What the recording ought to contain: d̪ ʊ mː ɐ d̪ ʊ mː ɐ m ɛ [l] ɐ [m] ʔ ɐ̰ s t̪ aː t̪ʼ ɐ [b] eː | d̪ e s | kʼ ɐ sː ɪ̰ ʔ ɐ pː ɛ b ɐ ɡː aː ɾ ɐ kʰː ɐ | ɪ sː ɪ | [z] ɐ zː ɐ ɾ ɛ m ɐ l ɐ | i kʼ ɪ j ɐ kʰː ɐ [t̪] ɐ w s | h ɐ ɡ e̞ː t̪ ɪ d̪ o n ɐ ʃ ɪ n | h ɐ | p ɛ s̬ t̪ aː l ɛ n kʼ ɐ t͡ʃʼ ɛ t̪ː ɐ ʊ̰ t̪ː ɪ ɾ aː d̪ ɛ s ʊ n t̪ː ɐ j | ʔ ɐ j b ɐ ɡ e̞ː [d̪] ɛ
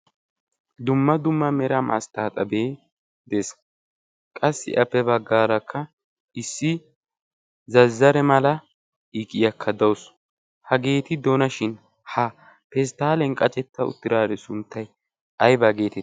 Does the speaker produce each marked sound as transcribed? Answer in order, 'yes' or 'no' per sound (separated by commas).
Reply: no, yes, yes, yes, no, no